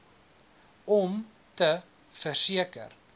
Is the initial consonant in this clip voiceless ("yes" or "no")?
no